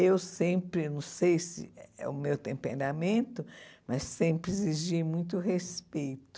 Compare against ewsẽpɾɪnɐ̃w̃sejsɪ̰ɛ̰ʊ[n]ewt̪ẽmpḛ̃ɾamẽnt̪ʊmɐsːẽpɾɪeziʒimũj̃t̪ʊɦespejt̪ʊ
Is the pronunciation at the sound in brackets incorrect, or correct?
incorrect: m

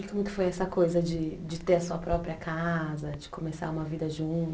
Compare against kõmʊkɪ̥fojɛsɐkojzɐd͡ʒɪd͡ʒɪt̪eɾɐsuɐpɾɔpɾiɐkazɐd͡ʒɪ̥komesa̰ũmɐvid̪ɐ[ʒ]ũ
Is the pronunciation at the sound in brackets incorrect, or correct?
correct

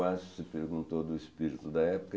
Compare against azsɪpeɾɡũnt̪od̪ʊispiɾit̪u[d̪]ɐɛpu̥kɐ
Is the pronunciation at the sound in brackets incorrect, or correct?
correct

